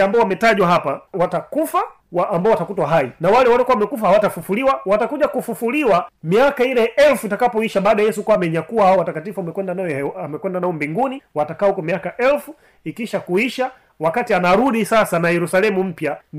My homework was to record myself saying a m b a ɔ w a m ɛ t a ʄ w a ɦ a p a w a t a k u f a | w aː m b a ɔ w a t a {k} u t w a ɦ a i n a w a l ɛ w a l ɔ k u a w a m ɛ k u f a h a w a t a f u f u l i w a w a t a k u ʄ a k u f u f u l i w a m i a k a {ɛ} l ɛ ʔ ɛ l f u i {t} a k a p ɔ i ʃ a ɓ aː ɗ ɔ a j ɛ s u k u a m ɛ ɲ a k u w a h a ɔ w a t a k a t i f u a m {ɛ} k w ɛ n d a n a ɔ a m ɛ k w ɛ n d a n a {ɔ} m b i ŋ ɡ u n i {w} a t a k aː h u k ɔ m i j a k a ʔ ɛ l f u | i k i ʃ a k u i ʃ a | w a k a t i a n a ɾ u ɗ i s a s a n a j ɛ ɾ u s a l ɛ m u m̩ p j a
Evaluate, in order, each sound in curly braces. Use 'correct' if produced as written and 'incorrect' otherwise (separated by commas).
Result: correct, incorrect, correct, correct, correct, correct